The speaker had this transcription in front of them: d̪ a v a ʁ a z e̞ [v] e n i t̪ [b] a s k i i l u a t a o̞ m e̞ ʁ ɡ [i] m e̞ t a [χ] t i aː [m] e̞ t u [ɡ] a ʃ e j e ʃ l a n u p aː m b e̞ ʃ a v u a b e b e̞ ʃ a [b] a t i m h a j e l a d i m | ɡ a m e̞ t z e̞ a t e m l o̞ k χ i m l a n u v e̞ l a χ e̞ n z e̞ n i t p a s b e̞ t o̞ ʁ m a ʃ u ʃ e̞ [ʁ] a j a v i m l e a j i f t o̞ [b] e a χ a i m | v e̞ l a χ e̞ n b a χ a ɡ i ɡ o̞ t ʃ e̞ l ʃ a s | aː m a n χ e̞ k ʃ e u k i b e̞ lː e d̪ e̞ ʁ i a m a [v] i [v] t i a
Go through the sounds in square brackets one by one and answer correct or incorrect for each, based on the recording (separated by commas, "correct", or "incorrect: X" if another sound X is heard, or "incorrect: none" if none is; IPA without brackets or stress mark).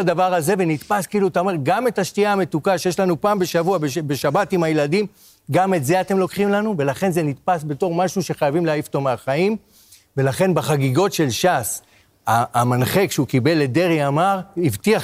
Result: correct, incorrect: p, incorrect: a, incorrect: ʃ, correct, incorrect: k, correct, incorrect: χ, incorrect: m, incorrect: ʁ, correct